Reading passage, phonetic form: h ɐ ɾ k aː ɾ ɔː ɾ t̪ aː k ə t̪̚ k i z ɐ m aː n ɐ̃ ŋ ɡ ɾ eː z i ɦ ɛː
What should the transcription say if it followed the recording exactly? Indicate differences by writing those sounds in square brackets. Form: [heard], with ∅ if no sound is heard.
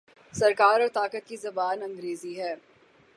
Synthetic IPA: [s] ɐ ɾ k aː ɾ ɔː ɾ t̪ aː k ə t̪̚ k i z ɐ [b] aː n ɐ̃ ŋ ɡ ɾ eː z i ɦ ɛː